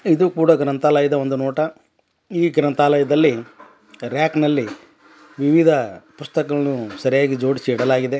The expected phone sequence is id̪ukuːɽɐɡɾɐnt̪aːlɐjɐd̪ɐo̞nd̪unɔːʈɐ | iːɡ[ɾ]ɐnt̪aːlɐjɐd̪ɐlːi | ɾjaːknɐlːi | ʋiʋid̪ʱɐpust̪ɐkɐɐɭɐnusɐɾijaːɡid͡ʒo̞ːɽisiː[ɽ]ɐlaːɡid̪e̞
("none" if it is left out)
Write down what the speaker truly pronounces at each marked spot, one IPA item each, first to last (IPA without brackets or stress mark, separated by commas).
ɾ, ɽ